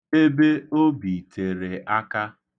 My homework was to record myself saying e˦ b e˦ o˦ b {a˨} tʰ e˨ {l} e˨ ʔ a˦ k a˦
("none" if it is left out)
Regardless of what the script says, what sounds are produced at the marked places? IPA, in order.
i˨, ɾ

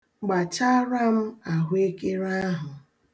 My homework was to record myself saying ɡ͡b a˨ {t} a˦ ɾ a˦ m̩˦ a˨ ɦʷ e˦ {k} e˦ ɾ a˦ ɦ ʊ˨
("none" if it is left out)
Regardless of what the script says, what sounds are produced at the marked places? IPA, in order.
t͡ʃ, k

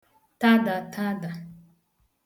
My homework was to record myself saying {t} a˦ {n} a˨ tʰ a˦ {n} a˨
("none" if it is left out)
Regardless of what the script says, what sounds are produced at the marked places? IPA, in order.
t, d, d

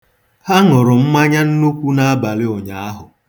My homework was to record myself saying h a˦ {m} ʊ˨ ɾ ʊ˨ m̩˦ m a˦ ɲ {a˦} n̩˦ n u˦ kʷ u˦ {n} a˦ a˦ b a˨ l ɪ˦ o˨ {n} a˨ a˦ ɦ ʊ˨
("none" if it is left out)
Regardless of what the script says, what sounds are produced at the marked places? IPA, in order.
ŋ, a˦, n, ɲ

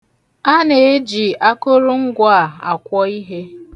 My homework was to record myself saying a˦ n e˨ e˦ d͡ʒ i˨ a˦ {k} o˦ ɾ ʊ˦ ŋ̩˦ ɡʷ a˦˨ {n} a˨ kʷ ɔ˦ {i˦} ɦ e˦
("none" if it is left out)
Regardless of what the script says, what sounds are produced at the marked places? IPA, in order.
k, none, i˦

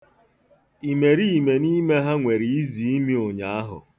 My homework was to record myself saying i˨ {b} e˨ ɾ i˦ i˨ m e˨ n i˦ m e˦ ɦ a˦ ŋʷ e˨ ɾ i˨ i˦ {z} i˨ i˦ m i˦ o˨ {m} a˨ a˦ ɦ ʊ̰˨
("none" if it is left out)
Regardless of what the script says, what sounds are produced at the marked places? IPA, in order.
m, z, ɲ

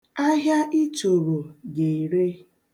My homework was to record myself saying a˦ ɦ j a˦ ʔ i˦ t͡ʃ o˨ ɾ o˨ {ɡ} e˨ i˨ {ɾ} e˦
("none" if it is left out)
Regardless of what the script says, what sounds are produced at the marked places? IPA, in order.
ɡ, ɾ

